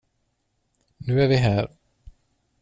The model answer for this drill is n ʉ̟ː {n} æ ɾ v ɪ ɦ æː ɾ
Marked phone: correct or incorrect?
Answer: incorrect